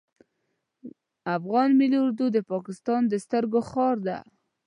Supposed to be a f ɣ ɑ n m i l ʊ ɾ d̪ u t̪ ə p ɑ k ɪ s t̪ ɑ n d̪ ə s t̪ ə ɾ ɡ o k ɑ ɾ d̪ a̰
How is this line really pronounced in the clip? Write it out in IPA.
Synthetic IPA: a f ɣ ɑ n m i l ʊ ɾ d̪ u d̪ ə p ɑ k ɪ s t̪ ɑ n d̪ ə s t̪ ə ɾ ɡ o x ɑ ɾ d̪ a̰